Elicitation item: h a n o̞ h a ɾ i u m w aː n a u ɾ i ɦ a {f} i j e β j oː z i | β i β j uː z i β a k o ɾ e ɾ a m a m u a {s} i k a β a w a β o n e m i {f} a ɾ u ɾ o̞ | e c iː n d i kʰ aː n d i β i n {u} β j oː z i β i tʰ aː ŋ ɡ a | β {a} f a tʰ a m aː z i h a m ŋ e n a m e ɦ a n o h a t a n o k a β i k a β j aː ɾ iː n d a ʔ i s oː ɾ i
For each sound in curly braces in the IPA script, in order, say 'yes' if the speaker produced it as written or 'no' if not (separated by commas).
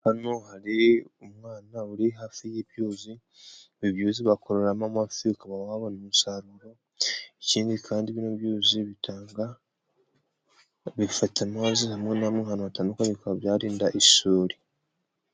yes, no, no, no, no